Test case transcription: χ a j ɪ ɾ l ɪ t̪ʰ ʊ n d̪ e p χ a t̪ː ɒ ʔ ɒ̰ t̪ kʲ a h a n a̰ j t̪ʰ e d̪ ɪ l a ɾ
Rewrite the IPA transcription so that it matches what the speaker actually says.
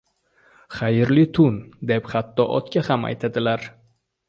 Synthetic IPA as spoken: χ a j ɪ ɾ l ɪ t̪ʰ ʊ n d̪ e p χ a t̪ː ɒ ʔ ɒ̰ t̪ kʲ a h a m a̰ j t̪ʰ a d̪ ɪ l a ɾ